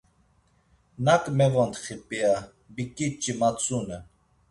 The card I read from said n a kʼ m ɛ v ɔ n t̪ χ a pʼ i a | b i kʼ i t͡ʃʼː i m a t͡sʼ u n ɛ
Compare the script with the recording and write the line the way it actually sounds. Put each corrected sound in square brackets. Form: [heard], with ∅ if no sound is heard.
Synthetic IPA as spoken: n a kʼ m ɛ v ɔ n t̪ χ [i] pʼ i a | b i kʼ i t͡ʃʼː i m a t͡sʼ u n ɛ